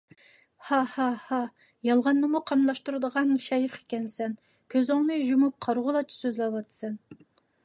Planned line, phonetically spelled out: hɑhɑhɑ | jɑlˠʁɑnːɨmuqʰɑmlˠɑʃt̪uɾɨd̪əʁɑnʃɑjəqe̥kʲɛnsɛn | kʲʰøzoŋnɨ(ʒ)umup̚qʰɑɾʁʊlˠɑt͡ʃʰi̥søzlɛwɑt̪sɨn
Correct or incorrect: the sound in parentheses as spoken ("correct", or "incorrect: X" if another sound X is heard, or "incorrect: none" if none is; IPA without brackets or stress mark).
correct